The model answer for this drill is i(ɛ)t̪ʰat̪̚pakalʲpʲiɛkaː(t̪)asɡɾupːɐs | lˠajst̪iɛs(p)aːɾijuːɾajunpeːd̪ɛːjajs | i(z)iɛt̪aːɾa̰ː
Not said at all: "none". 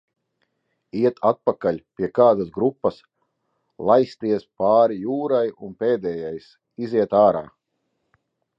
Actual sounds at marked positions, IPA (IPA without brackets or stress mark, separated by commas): ɛ, d̪, p, z